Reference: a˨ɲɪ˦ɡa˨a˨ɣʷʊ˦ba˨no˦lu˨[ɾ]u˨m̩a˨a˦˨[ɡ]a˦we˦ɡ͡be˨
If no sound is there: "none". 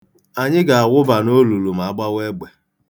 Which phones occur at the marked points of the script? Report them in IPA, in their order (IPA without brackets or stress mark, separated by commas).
l, ɡ͡b